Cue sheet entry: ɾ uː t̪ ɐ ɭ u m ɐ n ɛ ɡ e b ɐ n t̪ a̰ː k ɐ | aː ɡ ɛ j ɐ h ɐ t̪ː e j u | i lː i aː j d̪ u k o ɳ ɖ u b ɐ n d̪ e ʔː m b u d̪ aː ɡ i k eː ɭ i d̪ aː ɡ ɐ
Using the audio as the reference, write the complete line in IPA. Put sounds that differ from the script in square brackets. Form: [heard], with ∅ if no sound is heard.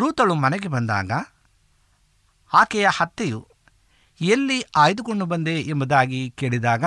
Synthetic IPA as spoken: ɾ uː t̪ ɐ ɭ u m ɐ n ɛ ɡ e b ɐ n [d̪] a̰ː [ɡ] ɐ | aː [k] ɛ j ɐ h ɐ t̪ː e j u | [e] lː i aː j d̪ u k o ɳ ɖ u b ɐ n d̪ e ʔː m b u d̪ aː ɡ i k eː ɭ i d̪ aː ɡ ɐ